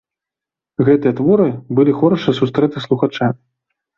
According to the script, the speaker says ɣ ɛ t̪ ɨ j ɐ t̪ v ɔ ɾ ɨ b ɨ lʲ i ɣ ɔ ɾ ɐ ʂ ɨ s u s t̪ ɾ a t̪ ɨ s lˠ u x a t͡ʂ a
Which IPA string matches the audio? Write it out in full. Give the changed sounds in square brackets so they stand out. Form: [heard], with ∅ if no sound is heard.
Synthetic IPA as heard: ɣ ɛ t̪ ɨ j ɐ t̪ v ɔ ɾ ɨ b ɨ lʲ i [x] ɔ ɾ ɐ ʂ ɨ s u s t̪ ɾ [ɛ] t̪ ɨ s lˠ u x a t͡ʂ a